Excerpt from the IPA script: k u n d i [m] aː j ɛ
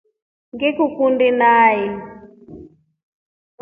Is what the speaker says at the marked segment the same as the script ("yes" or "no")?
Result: no